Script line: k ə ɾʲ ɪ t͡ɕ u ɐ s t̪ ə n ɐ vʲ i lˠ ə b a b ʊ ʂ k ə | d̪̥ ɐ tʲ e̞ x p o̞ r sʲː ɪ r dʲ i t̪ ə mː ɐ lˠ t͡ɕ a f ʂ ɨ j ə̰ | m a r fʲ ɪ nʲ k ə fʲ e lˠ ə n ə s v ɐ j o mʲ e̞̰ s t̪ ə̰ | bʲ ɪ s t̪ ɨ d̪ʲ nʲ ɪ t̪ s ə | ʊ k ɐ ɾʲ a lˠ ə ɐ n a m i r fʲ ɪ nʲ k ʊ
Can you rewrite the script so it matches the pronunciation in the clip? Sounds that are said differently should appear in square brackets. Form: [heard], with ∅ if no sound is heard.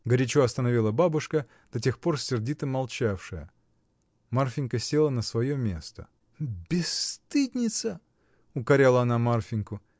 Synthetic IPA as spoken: [ɡ] ə ɾʲ ɪ t͡ɕ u ɐ s t̪ ə n ɐ vʲ i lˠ ə b a b ʊ ʂ k ə | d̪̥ ɐ tʲ e̞ x p o̞ r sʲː ɪ r dʲ i t̪ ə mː ɐ lˠ t͡ɕ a f ʂ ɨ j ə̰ | m a r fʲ ɪ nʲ k ə [sʲ] e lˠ ə n ə s v ɐ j o mʲ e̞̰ s t̪ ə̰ | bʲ ɪ s t̪ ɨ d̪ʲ nʲ ɪ t̪ s ə | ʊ k ɐ ɾʲ a lˠ ə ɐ n a m [a] r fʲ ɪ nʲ k ʊ